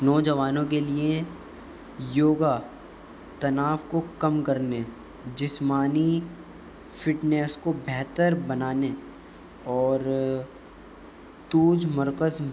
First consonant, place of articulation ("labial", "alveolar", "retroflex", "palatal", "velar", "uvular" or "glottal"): alveolar